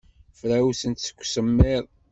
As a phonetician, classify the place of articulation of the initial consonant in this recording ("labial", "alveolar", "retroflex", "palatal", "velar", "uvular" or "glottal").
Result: labial